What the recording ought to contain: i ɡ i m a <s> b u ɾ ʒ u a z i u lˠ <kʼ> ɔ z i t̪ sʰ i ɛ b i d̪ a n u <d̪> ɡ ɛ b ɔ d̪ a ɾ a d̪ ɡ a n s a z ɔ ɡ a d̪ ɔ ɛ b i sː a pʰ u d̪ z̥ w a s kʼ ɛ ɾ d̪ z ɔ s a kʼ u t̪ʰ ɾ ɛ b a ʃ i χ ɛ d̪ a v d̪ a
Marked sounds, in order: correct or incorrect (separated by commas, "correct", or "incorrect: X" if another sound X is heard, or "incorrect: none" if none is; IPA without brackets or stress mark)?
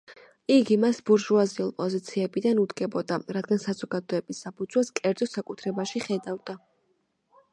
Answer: correct, incorrect: pʼ, correct